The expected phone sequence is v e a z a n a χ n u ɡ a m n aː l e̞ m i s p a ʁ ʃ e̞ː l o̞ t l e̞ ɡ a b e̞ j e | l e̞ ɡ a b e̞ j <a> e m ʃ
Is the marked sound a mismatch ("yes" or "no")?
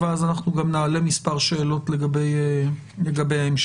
no